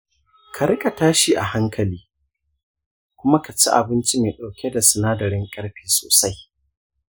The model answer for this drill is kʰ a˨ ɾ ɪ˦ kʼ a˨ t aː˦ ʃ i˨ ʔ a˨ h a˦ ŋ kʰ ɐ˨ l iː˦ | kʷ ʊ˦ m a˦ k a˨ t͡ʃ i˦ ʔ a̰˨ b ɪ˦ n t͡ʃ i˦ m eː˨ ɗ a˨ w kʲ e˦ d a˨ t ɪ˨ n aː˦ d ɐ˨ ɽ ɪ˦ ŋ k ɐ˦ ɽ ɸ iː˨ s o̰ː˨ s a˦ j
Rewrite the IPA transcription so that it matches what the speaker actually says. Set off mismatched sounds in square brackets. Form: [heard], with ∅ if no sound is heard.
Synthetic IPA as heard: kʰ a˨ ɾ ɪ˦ kʼ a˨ t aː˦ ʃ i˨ ʔ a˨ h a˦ ŋ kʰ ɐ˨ l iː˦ | kʷ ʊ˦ m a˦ k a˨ t͡ʃ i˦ ʔ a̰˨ b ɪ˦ n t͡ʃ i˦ m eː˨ ɗ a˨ w kʲ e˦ d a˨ [s] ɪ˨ n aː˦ d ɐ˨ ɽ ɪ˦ ŋ [kʼ] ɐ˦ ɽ ɸ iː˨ s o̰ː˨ s a˦ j

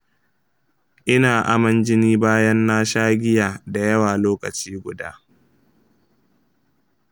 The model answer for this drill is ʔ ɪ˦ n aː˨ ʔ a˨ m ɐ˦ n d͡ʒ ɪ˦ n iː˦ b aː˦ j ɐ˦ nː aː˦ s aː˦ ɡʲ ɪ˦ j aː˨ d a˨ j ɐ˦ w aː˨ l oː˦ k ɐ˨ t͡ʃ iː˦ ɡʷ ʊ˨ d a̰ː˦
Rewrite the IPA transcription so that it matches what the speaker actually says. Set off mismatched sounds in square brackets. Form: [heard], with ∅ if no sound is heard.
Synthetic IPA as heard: ʔ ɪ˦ n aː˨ ʔ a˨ m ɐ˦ n d͡ʒ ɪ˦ n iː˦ b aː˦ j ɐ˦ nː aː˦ [ʃ] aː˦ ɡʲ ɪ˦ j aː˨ d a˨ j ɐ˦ w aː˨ l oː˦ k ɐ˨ t͡ʃ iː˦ ɡʷ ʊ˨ d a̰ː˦

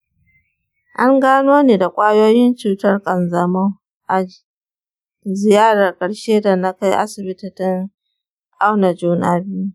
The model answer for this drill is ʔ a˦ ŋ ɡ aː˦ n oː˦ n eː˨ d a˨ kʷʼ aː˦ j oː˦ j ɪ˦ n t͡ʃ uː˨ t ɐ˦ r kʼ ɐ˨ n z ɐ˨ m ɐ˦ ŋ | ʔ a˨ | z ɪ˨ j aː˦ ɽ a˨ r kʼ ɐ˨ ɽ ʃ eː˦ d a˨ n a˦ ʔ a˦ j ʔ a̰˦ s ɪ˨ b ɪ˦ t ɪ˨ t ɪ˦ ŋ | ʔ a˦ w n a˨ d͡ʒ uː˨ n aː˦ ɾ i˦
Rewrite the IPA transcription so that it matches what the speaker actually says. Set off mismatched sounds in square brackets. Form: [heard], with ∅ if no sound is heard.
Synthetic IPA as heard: ʔ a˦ ŋ ɡ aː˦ n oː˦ n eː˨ d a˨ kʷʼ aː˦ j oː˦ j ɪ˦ n t͡ʃ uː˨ t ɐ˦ r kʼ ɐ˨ n z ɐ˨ m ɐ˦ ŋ | ʔ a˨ | z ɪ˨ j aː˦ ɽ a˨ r kʼ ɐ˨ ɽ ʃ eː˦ d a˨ n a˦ [k] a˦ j ʔ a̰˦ s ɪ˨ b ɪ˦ t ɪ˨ t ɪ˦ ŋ | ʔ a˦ w n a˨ d͡ʒ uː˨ n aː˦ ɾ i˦

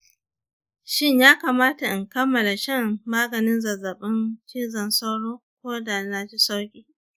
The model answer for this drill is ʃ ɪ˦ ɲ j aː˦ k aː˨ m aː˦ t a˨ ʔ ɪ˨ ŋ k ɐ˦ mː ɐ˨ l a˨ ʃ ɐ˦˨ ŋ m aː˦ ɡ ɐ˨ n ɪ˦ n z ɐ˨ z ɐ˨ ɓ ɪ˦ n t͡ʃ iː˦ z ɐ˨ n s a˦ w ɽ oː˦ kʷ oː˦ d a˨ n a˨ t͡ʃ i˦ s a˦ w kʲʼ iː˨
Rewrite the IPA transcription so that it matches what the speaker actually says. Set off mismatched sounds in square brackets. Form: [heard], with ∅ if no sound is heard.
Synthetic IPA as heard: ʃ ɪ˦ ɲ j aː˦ k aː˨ m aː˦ t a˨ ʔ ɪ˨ ŋ k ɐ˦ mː ɐ˨ l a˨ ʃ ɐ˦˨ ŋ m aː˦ ɡ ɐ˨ n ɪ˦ n z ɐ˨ z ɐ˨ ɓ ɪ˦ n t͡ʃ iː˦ z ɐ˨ n s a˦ w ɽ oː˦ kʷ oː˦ d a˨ n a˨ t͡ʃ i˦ s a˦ w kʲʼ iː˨

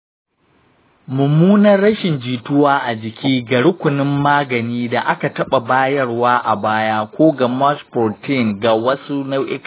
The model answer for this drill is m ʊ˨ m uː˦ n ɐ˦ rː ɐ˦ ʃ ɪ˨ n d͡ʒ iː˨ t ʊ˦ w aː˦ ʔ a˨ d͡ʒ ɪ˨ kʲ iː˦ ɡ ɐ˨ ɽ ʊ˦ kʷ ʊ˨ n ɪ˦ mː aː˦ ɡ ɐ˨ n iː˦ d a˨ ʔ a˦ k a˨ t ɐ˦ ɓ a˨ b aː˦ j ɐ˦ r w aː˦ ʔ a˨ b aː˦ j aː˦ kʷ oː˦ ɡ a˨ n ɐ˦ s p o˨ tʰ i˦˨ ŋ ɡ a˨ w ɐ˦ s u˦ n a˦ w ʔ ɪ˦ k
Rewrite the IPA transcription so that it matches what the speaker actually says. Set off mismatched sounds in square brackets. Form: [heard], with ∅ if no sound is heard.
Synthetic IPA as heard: m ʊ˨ m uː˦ n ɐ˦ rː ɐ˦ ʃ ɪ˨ n d͡ʒ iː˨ t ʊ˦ w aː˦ ʔ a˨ d͡ʒ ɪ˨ kʲ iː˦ ɡ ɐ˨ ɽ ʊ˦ kʷ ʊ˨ n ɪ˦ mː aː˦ ɡ ɐ˨ n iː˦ d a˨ ʔ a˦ k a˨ t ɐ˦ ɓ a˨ b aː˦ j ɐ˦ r w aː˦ ʔ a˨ b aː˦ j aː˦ kʷ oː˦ ɡ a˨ [m] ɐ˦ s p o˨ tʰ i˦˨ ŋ ɡ a˨ w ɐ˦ s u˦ n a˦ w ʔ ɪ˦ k

